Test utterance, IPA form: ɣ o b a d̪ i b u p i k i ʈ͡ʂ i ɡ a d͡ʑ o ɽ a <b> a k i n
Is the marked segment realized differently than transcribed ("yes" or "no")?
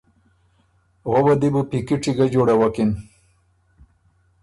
yes